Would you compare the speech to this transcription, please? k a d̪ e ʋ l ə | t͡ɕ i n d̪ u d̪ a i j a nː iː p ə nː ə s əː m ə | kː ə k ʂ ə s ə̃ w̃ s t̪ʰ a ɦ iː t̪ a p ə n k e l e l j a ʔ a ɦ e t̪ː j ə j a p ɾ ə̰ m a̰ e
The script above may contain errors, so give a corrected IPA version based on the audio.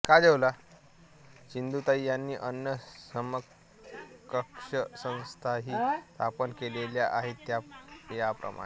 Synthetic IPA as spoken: k a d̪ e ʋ l a | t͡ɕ i n d̪ u t̪ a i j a nː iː ʔ ə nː ə s ə m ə | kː ə k ʂ ə s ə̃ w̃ s t̪ʰ a ɦ iː t̪ a p ə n k e l e l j a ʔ a ɦ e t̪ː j a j a p ɾ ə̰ m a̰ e